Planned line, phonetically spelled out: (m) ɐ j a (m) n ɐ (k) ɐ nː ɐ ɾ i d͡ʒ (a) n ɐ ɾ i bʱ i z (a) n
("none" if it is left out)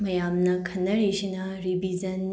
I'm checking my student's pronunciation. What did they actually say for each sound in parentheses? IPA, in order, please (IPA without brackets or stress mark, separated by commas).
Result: m, m, kʰ, i, ɐ